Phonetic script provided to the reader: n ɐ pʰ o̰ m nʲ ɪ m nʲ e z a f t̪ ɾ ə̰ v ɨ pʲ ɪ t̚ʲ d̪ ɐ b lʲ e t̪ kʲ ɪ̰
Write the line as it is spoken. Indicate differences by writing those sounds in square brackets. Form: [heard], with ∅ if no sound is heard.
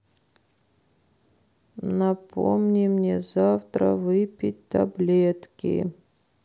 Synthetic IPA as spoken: n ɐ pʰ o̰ m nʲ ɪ m nʲ e z a f t̪ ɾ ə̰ v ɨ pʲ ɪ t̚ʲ [t̪] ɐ b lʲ e t̪ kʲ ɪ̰

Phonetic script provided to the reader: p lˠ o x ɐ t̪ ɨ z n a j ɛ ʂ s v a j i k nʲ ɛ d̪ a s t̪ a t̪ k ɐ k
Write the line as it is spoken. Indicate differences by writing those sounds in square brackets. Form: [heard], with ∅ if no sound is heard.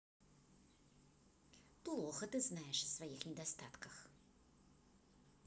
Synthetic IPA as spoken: p lˠ [ɔ] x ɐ t̪ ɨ z n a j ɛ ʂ s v a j i [x] nʲ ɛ d̪ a s t̪ a t̪ k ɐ [x]

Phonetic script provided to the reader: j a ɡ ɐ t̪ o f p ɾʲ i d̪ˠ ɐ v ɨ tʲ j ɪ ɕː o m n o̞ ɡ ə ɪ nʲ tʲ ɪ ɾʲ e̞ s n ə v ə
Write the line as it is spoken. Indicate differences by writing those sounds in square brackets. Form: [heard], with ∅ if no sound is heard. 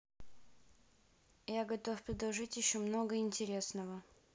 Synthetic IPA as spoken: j a ɡ ɐ t̪ o f p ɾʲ [ɪ] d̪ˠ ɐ [ʐ] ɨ tʲ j ɪ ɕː o m n o̞ ɡ ə ɪ nʲ tʲ ɪ ɾʲ e̞ s n ə v ə

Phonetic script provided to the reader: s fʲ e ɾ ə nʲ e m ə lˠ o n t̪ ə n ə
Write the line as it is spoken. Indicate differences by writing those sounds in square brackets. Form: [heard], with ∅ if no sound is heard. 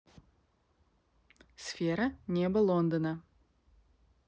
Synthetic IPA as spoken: s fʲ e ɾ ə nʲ e [b] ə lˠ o n [d̪] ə n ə

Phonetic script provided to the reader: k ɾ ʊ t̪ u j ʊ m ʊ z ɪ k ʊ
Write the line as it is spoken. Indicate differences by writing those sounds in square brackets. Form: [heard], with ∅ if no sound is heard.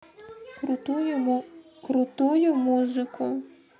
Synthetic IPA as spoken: k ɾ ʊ t̪ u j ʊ m [u] z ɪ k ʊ

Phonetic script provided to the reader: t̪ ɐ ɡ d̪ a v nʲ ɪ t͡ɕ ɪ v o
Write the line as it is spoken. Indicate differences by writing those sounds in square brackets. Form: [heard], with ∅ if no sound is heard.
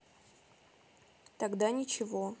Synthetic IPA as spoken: t̪ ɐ ɡ d̪ a [∅] nʲ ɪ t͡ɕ ɪ v o

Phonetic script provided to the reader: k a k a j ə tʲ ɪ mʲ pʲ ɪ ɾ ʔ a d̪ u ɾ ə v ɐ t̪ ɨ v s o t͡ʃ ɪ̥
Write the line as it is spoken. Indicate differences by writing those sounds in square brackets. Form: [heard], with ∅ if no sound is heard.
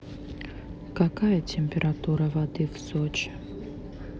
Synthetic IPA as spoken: k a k a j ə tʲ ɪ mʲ pʲ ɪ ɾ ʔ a [t̪] u ɾ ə v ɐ [d̪] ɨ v s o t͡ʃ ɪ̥

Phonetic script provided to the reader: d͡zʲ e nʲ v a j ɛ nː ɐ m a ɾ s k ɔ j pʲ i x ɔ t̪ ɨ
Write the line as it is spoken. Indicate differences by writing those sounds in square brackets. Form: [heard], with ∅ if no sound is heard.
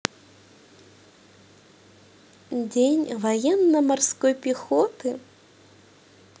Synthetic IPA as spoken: d͡zʲ e nʲ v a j ɛ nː ɐ m a [r] s k ɔ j pʲ i x ɔ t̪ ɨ

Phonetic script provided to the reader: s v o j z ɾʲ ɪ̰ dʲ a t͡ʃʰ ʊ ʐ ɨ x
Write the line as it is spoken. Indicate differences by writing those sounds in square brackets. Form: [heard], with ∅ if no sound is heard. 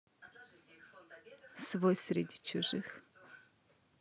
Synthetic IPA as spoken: s v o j [s] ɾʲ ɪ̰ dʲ [i] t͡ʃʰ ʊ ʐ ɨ x

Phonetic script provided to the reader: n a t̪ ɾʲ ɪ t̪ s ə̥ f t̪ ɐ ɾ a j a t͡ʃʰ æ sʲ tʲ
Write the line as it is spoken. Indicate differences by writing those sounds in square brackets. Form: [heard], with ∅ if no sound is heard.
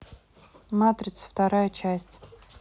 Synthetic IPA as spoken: [m] a t̪ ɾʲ ɪ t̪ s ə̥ f t̪ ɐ ɾ a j [ə] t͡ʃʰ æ sʲ tʲ

